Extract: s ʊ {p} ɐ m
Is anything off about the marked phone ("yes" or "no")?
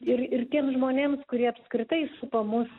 no